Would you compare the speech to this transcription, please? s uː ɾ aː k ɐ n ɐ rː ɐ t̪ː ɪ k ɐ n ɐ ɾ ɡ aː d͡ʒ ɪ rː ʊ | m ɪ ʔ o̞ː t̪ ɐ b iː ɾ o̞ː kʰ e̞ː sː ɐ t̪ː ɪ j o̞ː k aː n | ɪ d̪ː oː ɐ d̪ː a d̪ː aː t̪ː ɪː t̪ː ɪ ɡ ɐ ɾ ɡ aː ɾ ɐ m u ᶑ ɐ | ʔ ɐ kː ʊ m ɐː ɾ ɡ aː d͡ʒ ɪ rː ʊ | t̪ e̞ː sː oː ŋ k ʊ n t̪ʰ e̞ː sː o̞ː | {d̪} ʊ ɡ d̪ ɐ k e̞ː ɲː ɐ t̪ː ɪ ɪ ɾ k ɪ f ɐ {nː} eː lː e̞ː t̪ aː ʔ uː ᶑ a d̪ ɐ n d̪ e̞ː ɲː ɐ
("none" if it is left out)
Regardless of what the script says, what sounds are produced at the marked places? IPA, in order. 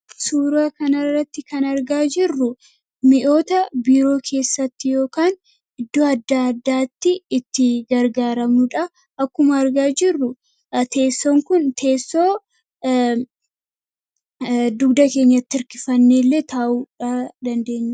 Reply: d̪, nː

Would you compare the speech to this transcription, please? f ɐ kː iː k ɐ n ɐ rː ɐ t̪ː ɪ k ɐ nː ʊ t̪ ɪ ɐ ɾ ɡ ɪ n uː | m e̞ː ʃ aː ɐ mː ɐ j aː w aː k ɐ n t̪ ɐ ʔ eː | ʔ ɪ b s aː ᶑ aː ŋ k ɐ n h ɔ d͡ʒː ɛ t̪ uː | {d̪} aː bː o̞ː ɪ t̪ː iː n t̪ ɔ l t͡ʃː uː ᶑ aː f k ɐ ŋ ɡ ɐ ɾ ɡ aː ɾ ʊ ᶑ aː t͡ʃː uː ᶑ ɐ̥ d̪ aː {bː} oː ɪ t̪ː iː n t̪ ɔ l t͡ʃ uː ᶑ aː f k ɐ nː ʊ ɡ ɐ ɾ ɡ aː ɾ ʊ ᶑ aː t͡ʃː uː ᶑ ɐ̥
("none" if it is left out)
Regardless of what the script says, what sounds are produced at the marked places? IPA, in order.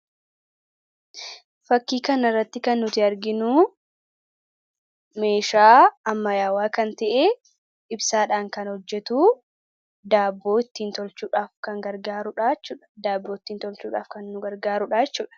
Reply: d̪, bː

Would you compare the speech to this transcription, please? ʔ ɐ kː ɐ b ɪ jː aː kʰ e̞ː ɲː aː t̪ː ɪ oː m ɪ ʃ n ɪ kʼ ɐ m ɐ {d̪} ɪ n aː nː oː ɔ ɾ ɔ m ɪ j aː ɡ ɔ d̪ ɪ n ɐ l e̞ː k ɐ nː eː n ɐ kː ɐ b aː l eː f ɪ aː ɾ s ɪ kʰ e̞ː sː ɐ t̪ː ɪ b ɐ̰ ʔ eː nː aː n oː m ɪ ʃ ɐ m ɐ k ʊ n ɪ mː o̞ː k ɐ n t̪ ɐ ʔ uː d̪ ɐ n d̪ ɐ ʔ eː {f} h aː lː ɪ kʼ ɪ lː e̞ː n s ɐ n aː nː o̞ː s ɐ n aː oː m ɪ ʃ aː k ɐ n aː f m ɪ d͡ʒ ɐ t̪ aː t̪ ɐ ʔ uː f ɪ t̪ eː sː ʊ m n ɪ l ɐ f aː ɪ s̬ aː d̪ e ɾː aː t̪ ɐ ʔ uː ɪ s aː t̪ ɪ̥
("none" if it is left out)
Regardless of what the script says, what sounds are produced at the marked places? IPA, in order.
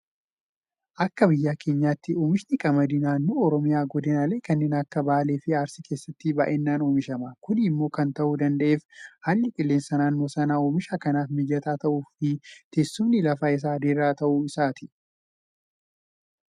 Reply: d̪, f

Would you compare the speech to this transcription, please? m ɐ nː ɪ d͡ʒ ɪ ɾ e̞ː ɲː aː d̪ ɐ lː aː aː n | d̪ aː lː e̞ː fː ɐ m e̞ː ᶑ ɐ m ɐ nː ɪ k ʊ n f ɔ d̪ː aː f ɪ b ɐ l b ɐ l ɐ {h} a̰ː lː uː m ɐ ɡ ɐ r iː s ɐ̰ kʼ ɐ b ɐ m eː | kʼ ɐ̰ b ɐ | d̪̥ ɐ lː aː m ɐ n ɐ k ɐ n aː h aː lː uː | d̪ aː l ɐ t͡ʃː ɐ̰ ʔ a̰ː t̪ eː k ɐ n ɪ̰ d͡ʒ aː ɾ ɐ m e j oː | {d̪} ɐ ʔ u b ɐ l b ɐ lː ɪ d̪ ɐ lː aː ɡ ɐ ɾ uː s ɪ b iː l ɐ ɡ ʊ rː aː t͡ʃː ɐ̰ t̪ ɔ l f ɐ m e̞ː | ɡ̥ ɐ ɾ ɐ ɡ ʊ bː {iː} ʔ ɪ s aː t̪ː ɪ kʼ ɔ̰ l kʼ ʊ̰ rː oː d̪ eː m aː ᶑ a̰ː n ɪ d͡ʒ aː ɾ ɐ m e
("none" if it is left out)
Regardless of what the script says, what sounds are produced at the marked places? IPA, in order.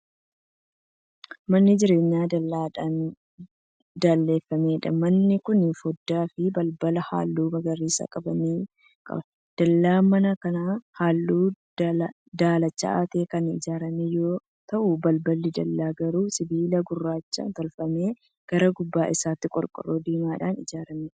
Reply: h, t̪, aː

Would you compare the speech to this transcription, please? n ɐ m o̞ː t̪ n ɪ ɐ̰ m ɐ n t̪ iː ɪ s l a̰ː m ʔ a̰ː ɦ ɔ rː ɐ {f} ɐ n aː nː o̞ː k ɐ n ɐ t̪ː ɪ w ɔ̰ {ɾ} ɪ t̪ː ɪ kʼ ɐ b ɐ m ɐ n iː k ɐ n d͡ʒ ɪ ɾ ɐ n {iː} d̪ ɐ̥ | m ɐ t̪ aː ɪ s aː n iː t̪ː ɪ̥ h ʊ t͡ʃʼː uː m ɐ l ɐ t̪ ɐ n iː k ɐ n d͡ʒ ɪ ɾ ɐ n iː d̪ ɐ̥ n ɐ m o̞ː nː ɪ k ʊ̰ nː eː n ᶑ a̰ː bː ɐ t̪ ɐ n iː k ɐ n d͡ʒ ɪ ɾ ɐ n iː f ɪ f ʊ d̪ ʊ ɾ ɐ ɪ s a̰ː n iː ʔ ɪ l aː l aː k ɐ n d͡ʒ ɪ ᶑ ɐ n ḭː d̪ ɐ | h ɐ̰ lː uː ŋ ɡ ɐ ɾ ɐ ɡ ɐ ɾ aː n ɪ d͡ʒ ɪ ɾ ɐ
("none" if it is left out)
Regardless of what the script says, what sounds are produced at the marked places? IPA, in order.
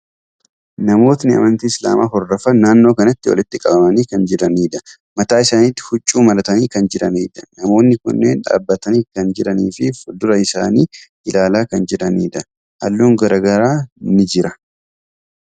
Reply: f, l, iː

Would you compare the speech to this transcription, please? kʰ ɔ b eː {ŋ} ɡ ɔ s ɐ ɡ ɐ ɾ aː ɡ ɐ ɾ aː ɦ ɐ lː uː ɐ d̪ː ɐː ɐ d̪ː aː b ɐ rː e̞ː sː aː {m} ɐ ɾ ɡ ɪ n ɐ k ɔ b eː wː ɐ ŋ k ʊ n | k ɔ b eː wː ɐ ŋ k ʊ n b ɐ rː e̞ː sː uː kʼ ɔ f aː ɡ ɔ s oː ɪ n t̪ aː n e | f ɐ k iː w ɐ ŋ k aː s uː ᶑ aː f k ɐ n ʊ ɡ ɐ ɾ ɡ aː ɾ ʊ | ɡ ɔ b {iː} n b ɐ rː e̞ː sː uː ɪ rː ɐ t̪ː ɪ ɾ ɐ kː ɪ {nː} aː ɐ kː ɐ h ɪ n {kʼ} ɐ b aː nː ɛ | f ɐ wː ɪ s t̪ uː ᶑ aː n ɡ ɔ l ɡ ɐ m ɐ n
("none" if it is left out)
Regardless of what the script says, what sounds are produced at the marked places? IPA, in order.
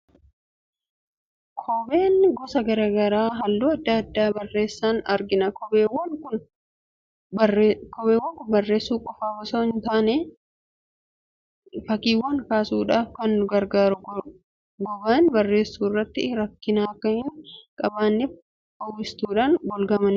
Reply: n, n, aː, n, kʼ

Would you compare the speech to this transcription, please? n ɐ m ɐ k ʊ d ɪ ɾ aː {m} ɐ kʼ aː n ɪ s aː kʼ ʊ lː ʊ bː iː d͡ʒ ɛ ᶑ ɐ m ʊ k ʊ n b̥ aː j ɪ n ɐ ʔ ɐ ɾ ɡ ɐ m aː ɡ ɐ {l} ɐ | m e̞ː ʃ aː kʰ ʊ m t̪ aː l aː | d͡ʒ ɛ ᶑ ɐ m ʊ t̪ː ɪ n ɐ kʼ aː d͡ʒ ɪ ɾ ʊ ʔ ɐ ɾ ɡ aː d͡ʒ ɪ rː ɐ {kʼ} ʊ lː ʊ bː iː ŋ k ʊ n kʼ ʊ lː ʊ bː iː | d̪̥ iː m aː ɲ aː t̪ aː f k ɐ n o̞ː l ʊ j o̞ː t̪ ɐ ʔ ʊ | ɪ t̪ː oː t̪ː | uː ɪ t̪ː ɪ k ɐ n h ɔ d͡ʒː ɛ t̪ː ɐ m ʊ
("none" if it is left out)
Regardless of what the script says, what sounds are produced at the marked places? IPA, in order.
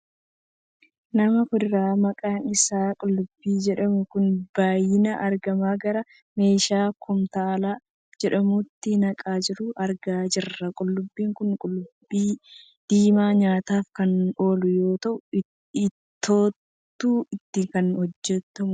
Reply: m, ɾ, kʼ

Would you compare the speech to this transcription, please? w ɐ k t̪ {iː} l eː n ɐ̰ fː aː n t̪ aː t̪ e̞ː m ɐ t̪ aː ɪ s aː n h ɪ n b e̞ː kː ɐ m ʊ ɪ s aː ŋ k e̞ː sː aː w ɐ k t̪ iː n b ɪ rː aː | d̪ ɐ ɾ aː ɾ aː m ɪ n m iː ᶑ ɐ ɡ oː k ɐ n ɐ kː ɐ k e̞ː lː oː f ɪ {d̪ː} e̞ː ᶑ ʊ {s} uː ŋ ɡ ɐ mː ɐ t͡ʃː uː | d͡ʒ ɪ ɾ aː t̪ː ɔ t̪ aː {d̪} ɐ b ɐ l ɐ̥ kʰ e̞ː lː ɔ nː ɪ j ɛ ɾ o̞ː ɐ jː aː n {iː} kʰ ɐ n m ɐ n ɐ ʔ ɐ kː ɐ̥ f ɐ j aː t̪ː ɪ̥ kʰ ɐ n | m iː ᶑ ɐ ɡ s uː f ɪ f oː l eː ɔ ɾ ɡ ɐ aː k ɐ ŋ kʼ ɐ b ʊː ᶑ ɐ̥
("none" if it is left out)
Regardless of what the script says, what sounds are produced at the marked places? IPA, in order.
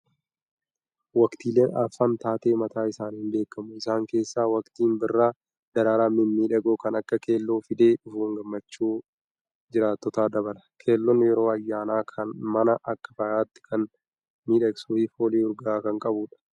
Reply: iː, d̪, f, d̪, aː

